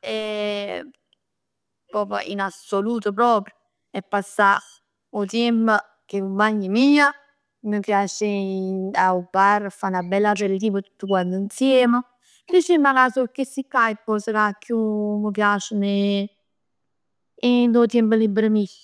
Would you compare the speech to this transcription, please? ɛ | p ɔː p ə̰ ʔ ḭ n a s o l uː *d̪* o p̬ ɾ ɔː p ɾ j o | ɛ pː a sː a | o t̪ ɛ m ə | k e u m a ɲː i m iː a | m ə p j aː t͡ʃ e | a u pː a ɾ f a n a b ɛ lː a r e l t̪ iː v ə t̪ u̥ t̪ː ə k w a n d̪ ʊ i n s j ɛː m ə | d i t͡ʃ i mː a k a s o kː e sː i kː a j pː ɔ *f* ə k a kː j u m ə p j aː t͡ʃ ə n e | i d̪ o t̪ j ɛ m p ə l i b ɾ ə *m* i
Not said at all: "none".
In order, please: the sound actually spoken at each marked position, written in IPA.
t̪, s, m

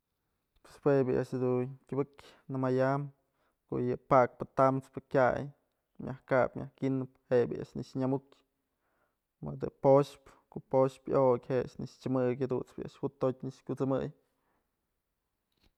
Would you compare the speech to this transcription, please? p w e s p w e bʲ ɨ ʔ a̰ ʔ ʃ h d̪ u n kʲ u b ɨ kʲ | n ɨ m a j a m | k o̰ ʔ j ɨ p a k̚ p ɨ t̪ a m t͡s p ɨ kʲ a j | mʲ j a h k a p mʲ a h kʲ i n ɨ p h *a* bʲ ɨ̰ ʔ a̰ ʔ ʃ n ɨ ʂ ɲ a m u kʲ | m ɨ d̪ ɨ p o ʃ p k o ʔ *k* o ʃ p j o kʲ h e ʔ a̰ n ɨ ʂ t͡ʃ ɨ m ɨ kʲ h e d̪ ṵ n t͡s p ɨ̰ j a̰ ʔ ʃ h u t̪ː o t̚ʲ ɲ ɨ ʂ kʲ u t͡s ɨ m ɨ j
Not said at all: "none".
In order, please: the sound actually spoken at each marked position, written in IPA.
e, p

